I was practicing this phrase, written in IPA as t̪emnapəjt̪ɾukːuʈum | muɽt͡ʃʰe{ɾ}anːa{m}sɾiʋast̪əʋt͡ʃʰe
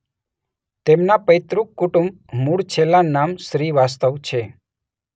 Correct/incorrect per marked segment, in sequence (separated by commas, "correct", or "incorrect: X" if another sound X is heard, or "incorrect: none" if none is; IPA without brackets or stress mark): incorrect: l, correct